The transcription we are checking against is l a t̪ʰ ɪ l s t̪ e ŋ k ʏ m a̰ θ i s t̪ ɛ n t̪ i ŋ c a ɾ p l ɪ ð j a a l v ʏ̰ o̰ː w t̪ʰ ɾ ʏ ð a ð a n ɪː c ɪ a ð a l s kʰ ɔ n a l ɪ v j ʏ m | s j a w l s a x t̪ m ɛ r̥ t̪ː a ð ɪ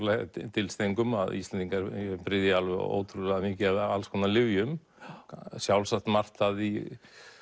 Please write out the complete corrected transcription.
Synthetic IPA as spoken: l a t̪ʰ ɪ l s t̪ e ŋ k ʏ m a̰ ð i s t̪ ɛ n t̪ i ŋ k a ɾ p ɾ ɪ ð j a a l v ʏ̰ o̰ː w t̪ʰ ɾ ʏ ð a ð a m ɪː c ɪ a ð a l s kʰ ɔ n a l ɪ v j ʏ m | s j a w l s a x t̪ m a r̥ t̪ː a ð i